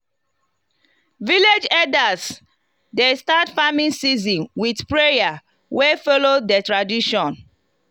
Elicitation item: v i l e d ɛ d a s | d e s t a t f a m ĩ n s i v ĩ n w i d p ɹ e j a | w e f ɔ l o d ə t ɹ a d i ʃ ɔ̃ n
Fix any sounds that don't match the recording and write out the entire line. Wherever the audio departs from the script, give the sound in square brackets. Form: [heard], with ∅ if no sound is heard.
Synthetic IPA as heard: v i l e [d͡ʒ] ɛ d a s | d e s t a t f a m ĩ n s i [z] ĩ n w i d p ɹ e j a | w e f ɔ l o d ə t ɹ a d i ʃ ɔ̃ n